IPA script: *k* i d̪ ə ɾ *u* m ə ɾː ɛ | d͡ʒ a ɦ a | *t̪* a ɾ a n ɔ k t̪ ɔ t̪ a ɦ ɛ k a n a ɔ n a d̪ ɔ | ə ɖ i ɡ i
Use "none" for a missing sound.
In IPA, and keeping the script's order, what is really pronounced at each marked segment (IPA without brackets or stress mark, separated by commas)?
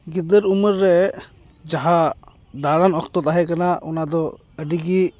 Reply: ɡ, u, d̪